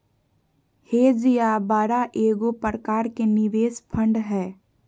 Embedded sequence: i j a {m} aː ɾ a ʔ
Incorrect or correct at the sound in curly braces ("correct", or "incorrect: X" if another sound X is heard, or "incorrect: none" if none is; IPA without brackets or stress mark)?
incorrect: b